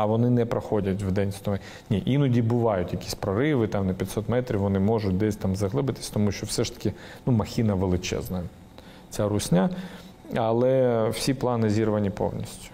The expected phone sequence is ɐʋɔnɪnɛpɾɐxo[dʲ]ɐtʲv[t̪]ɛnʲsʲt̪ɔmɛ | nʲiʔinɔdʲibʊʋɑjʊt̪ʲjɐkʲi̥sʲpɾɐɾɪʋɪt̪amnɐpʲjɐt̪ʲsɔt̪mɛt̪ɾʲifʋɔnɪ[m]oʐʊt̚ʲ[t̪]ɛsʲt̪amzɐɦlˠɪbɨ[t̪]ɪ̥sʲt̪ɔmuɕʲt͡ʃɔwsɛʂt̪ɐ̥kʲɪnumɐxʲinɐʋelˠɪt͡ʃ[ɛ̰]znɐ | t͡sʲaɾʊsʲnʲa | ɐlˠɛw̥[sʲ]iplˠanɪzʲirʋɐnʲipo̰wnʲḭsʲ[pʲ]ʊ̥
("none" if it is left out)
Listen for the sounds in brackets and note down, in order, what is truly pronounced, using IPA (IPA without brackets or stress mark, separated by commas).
dʲ, d̪, m, d̪, t̪, ɛ̰, sʲ, tʲ